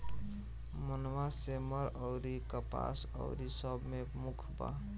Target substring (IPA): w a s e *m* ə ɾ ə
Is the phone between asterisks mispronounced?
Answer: no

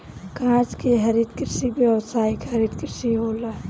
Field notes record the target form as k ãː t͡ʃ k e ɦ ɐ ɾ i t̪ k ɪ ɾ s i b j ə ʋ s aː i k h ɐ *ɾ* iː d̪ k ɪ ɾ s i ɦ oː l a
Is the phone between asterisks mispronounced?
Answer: no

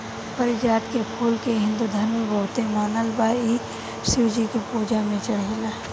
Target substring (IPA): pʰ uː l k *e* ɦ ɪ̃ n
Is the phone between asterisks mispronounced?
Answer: no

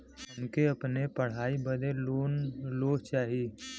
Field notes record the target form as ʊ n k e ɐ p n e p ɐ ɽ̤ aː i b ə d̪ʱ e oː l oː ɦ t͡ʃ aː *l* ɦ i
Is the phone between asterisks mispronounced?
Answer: yes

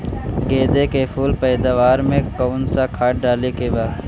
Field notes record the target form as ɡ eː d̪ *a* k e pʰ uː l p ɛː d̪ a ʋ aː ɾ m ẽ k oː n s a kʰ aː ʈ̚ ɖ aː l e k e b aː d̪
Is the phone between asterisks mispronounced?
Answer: yes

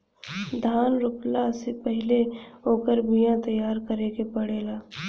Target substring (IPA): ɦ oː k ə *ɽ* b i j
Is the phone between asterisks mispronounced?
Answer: yes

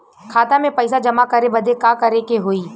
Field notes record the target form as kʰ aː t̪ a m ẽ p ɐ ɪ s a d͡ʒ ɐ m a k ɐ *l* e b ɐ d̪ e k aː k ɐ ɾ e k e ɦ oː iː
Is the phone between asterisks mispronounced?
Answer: yes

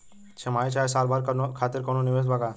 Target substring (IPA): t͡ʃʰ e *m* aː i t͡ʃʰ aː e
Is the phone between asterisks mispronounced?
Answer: no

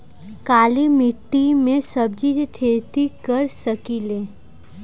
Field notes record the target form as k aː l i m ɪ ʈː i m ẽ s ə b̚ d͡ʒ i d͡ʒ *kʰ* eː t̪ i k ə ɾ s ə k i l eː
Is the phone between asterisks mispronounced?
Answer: yes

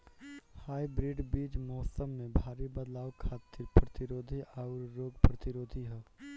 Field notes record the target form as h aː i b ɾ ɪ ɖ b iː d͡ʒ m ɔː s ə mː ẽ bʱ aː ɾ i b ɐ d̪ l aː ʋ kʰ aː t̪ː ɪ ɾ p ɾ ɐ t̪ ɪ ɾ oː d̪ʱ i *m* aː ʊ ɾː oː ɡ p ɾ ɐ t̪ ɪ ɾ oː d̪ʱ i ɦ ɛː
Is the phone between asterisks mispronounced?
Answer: yes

